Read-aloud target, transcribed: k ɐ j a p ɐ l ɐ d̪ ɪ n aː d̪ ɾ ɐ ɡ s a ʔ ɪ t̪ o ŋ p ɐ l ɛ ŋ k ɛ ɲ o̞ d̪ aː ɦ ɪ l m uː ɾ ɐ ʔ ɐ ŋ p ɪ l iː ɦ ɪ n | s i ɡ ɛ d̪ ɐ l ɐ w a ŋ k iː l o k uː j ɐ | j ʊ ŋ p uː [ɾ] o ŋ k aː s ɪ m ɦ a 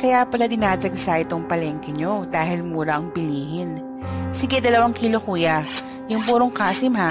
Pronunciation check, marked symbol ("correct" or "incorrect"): correct